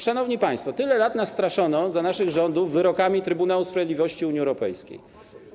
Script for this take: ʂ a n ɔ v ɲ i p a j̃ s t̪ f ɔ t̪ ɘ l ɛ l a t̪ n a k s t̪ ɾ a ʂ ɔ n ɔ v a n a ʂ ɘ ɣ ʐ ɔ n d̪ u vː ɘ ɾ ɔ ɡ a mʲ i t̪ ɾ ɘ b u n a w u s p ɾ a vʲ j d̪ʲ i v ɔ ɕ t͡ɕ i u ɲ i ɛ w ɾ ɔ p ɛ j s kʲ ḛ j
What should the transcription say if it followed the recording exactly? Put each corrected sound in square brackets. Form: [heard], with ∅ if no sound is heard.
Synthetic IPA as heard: ʂ a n ɔ v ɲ i p a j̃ s t̪ f ɔ t̪ ɘ l ɛ l a t̪ n a [∅] s t̪ ɾ a ʂ ɔ n ɔ [z] a n a ʂ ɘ ɣ ʐ ɔ n d̪ u vː ɘ ɾ ɔ [k] a mʲ i t̪ ɾ ɘ b u n a w u s p ɾ a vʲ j d̪ʲ i v ɔ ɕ t͡ɕ i u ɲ i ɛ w ɾ ɔ p ɛ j s kʲ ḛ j